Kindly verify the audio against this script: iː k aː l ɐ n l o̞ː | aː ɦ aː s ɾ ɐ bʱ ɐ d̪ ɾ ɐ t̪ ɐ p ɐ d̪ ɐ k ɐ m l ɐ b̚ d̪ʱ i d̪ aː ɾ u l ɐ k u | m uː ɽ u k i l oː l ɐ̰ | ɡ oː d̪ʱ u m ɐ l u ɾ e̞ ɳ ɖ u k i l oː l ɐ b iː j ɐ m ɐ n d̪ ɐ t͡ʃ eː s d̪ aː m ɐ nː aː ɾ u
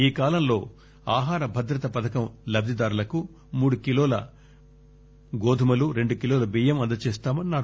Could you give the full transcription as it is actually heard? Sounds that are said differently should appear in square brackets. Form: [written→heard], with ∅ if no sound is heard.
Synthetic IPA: iː k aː l ɐ [n→m] l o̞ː | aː ɦ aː [s→∅] ɾ ɐ bʱ ɐ d̪ ɾ ɐ t̪ ɐ p ɐ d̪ ɐ k ɐ m l ɐ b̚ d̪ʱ i d̪ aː ɾ u l ɐ k u | m uː ɽ u k i l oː l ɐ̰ | ɡ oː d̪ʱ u m ɐ l u ɾ e̞ ɳ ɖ u k i l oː l ɐ b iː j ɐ m ɐ n d̪ ɐ t͡ʃ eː s [d̪→t̪] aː m ɐ nː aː ɾ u

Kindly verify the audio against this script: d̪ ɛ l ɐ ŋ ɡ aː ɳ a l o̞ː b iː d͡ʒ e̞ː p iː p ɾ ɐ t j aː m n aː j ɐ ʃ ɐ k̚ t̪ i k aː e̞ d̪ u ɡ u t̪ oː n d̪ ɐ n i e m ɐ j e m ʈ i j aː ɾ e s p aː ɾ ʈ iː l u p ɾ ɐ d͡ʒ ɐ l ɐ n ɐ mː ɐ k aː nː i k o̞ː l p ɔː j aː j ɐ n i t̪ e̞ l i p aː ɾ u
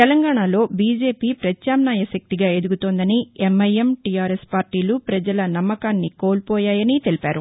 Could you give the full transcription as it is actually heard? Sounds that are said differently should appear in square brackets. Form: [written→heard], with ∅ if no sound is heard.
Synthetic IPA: [d̪→t̪] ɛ l ɐ ŋ ɡ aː ɳ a l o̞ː b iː d͡ʒ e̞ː p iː p ɾ ɐ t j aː m n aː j ɐ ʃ ɐ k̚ t̪ i [k→ɡ] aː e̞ d̪ u ɡ u t̪ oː n d̪ ɐ n i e m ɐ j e m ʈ i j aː ɾ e s p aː ɾ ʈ iː l u p ɾ ɐ d͡ʒ ɐ l ɐ n ɐ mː ɐ k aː nː i k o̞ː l p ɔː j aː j ɐ n i t̪ e̞ l i p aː ɾ u

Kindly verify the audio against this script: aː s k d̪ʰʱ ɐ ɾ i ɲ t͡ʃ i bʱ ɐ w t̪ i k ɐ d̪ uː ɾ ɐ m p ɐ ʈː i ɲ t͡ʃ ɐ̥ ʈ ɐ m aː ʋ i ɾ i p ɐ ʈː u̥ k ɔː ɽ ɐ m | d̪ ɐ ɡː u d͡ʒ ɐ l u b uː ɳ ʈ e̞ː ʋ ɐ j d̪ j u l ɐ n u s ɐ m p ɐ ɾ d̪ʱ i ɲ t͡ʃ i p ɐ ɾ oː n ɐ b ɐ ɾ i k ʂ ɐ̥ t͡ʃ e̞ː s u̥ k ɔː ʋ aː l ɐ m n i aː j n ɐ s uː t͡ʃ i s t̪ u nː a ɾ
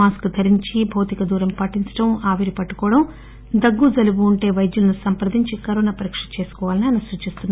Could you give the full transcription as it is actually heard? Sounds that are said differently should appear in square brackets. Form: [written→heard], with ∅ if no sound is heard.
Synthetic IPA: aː s k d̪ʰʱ ɐ ɾ i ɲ t͡ʃ i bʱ ɐ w t̪ i k ɐ d̪ uː ɾ ɐ m p ɐ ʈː i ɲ t͡ʃ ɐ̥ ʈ ɐ m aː ʋ i ɾ i p ɐ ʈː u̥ k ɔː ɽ ɐ m | d̪ ɐ ɡː u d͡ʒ ɐ l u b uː ɳ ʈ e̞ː ʋ ɐ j d̪ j u l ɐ n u s ɐ m p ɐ ɾ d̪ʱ i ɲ t͡ʃ i [p→k] ɐ ɾ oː n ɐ [b→p] ɐ ɾ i k ʂ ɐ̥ t͡ʃ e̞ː s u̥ k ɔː ʋ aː l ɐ [m→∅] n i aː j n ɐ s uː t͡ʃ i s t̪ u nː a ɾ

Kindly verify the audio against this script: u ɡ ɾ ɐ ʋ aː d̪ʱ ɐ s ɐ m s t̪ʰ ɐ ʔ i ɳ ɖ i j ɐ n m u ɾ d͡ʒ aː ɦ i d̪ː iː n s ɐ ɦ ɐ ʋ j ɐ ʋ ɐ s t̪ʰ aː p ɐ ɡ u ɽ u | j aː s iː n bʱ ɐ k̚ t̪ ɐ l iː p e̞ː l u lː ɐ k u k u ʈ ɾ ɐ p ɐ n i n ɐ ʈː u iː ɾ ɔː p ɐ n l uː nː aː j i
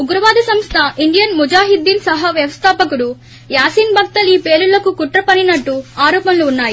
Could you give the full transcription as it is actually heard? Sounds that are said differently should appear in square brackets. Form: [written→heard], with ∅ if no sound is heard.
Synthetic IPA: u ɡ ɾ ɐ ʋ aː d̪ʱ ɐ s ɐ m s t̪ʰ ɐ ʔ i ɳ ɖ i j ɐ n m u [ɾ→∅] d͡ʒ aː ɦ i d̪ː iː n s ɐ ɦ ɐ ʋ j ɐ ʋ ɐ s t̪ʰ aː p ɐ [ɡ→k] u ɽ u | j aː s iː n bʱ ɐ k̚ t̪ ɐ l iː p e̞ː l u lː ɐ k u k u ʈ ɾ ɐ p ɐ n i n ɐ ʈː u [iː→aː] ɾ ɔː p ɐ n l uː nː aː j i

